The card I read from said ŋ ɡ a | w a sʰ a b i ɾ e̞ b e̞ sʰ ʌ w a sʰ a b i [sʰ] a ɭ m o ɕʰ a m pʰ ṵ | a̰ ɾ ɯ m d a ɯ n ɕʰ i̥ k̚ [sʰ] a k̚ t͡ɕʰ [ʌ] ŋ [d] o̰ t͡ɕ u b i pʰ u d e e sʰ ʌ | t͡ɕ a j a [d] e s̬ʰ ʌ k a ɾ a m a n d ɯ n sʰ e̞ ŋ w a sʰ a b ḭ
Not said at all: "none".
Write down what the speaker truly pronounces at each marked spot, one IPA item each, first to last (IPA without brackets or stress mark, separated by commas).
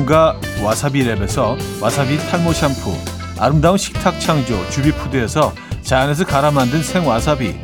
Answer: tʰ, tʰ, a, d͡ʑ, n